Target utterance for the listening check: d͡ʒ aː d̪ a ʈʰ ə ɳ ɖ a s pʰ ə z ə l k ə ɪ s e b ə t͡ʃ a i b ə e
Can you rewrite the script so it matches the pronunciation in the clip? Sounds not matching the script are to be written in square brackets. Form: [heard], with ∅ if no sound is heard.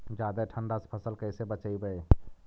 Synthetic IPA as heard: d͡ʒ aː d̪ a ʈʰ ə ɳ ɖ a s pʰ ə [s] ə l k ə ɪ s e b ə t͡ʃ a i b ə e